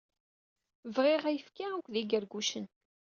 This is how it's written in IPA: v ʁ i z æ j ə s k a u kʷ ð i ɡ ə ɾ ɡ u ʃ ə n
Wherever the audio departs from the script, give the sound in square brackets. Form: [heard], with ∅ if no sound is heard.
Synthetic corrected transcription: v ʁ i [ʁ] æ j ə [f] k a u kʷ ð i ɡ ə ɾ ɡ u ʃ ə n

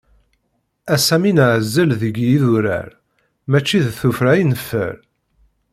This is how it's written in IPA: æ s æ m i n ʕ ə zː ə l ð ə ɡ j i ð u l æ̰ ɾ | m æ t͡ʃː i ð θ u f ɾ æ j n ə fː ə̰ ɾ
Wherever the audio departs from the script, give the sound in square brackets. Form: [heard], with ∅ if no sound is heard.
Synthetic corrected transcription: æ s æ m i n ʕ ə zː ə l ð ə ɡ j i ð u [ɾ] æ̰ ɾ | m æ t͡ʃː i ð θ u f ɾ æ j n ə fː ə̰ ɾ

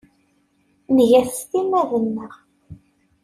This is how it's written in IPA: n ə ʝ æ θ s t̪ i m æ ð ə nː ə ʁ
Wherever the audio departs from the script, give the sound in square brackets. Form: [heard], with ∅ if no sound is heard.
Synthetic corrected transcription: n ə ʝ æ θ s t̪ i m æ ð ə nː ə ʁ

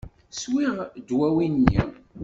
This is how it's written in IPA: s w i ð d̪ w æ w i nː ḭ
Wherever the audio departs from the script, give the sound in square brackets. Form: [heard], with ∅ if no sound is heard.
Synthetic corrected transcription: s w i [ʁ] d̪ w æ w i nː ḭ

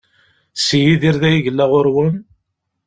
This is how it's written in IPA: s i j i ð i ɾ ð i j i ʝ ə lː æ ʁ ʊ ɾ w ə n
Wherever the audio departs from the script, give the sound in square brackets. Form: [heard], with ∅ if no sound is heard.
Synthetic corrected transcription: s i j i ð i ɾ ð [æ] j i ʝ ə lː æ ʁ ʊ ɾ w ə n

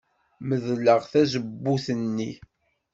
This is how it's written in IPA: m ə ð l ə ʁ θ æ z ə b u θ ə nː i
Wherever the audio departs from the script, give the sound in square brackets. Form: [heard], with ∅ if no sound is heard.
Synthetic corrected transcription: m ə ð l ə ʁ θ æ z ə [bː] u θ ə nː i

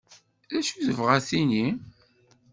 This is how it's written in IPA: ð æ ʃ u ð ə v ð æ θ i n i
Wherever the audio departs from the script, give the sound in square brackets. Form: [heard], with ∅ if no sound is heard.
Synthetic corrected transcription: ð æ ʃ u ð ə v [ʁ] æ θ i n i

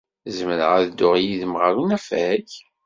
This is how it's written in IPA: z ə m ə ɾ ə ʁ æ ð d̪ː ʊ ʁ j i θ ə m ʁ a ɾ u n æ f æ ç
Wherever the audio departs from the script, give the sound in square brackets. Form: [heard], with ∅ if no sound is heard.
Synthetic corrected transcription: z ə m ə ɾ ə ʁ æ ð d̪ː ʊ ʁ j i [ð] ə m ʁ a ɾ u n æ f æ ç

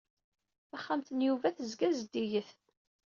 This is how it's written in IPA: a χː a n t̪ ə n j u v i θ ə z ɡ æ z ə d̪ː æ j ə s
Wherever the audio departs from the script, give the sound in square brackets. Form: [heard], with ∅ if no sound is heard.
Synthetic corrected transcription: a χː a [m] t̪ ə n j u v [æ] θ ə z ɡ æ z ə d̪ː [i] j ə [θ]

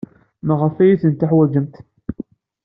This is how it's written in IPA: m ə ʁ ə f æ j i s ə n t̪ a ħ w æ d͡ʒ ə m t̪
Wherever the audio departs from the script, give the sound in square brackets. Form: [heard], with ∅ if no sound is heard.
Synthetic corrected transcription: m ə ʁ ə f æ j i [θ] ə n t̪ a ħ w æ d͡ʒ ə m t̪

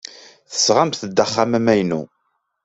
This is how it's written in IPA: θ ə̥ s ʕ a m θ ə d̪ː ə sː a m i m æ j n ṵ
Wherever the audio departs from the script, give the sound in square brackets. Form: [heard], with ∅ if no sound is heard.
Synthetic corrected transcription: θ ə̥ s [ʁ] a m θ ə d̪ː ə [χː] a m [æ] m æ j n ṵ

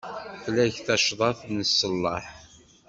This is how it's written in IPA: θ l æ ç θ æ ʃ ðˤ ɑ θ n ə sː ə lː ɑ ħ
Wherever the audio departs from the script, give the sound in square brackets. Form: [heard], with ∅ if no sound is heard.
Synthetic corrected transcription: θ l æ ç θ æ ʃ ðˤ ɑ θ n ə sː ə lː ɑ ħ

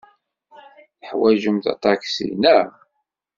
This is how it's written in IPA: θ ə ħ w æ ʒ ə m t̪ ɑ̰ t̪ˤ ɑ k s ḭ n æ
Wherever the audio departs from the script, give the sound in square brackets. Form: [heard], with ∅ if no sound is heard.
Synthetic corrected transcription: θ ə ħ w æ ʒ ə m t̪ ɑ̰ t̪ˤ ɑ k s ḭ n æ

